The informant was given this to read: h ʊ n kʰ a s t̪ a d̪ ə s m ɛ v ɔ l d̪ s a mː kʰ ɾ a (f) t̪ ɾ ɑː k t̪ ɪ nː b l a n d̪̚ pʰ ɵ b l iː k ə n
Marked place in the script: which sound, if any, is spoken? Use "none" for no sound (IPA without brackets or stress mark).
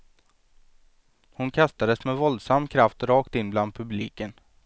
f